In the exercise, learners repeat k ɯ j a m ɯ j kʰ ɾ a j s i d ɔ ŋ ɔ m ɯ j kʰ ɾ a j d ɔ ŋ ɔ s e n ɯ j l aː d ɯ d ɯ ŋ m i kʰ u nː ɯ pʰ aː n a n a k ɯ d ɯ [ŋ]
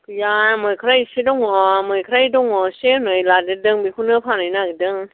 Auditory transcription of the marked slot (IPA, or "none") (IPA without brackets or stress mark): ŋ